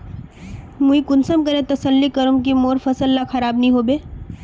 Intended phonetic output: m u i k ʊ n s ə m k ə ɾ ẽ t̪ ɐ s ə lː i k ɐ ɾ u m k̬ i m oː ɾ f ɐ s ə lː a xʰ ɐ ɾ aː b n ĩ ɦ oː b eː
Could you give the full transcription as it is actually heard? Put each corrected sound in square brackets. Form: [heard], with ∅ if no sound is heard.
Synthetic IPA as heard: m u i k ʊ n s ə m k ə ɾ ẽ t̪ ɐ s ə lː i k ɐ ɾ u m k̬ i m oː ɾ f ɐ s ə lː a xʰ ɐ ɾ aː b n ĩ ɦ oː b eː